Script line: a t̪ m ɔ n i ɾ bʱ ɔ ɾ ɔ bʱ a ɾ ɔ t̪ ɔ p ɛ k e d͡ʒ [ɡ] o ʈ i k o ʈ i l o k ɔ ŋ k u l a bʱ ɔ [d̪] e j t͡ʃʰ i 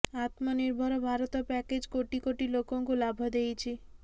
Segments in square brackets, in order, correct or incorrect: incorrect, correct

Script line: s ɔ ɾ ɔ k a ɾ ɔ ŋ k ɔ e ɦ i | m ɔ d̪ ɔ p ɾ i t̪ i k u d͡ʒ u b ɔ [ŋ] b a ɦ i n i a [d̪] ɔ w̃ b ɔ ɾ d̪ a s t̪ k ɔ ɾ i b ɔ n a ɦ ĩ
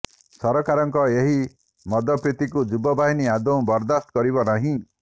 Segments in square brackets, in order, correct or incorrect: incorrect, correct

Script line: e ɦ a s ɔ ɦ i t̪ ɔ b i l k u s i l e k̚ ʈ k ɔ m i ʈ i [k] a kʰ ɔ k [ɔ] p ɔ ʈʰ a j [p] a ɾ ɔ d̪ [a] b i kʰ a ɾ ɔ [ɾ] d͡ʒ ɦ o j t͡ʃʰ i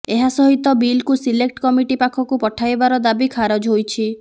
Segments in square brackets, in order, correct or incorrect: incorrect, incorrect, incorrect, correct, incorrect

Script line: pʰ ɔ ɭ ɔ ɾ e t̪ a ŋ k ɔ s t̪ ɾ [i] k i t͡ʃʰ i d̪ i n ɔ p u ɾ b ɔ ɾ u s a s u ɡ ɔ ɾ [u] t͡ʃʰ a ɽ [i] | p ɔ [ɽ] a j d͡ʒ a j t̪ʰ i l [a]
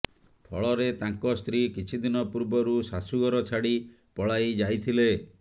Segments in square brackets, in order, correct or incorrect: correct, incorrect, correct, incorrect, incorrect

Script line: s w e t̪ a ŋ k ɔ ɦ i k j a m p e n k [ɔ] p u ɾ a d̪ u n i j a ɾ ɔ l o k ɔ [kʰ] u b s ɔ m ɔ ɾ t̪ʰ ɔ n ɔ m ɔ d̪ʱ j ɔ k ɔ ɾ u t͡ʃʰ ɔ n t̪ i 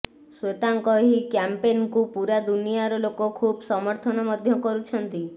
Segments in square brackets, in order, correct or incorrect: incorrect, correct

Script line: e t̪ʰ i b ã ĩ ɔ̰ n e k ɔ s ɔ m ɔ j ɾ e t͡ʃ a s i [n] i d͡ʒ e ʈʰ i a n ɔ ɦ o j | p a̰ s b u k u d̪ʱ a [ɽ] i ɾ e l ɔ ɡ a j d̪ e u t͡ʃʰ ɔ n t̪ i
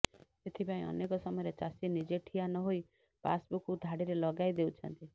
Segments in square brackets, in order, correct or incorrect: correct, correct

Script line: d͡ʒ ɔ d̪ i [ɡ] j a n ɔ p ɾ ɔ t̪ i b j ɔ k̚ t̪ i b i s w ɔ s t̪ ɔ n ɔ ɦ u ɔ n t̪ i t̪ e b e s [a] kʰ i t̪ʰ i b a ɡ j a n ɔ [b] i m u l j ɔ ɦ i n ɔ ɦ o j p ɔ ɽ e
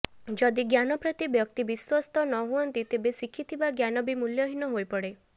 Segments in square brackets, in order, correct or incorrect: correct, incorrect, correct

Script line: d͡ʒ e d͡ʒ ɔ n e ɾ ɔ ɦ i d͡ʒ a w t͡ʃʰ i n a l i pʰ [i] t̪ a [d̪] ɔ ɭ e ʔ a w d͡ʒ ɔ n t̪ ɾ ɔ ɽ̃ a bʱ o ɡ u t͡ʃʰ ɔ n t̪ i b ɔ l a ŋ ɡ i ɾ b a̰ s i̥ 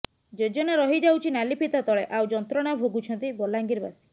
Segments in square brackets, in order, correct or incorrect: correct, incorrect

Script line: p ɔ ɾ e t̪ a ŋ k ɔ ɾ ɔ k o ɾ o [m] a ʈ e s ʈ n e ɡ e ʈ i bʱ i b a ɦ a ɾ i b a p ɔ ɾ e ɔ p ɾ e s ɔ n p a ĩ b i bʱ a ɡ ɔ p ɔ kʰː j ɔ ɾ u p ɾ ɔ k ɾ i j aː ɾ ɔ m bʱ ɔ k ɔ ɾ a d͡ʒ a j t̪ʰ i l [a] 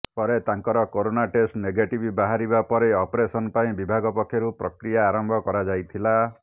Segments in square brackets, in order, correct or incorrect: incorrect, correct

